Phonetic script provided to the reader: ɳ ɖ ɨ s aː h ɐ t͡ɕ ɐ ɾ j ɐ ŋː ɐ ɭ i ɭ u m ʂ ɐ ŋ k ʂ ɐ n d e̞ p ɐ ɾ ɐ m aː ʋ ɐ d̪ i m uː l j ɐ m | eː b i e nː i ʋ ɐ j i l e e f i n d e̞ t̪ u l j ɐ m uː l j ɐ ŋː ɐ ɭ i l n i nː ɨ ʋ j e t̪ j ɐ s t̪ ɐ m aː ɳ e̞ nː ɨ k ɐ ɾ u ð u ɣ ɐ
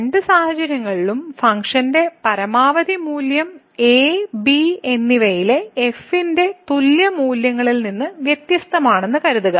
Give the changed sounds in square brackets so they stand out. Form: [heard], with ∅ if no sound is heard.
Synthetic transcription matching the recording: ɳ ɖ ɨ s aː h ɐ t͡ɕ ɐ ɾ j ɐ ŋː ɐ ɭ i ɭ u m [f] ɐ ŋ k ʂ ɐ n d e̞ p ɐ ɾ ɐ m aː ʋ ɐ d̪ i m uː l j ɐ m | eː b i e nː i ʋ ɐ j i l e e f i n d e̞ t̪ u l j ɐ m uː l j ɐ ŋː ɐ ɭ i l n i nː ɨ ʋ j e t̪ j ɐ s t̪ ɐ m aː ɳ e̞ nː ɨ k ɐ ɾ u ð u ɣ ɐ